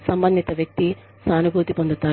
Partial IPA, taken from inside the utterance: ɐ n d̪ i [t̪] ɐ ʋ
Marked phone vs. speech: correct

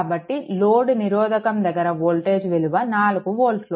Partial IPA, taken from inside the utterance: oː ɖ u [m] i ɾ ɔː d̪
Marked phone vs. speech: incorrect: n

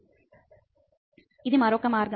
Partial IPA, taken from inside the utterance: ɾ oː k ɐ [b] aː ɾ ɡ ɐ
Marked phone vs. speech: incorrect: m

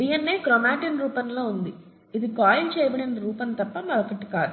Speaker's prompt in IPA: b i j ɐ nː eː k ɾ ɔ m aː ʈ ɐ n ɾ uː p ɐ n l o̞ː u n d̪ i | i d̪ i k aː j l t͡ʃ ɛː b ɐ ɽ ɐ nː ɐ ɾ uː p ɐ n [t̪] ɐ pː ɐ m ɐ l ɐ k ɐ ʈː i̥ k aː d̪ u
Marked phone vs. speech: correct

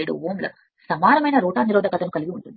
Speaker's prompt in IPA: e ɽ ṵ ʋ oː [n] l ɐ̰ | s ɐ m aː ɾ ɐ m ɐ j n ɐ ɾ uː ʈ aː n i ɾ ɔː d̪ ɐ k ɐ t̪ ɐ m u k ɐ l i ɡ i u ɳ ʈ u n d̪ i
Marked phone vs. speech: incorrect: m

